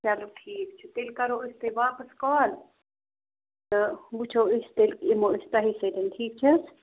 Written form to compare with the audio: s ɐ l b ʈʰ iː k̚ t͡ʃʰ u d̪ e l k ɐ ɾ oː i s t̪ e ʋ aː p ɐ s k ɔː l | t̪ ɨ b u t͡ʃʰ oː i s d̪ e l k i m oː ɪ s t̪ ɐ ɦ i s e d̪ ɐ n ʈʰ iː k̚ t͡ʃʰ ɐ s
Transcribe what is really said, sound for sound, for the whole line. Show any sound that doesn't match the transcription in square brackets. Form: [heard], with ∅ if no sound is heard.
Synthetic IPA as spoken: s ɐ l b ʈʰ iː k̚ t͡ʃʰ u [t̪] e l k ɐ ɾ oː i s t̪ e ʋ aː p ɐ s k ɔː l | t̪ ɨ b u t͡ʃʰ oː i s [t̪] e l k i m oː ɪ s t̪ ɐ ɦ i s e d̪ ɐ n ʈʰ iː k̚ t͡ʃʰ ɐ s